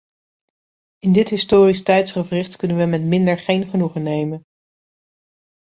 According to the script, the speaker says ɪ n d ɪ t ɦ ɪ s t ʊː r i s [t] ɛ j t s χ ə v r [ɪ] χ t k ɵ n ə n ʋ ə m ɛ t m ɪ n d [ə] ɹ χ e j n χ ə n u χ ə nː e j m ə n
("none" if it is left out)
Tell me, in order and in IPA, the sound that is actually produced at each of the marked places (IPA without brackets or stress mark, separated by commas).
t, ɪ, ə